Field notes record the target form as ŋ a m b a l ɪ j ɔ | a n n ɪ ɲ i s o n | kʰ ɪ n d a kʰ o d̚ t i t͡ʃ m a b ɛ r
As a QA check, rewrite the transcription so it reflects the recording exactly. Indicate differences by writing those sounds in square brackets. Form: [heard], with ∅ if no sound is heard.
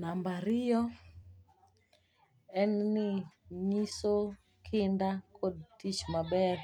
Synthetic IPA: [n] a m b a [ɾ] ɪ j ɔ | [ɛ] n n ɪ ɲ i s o [∅] | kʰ ɪ n d a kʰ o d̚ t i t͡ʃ m a b ɛ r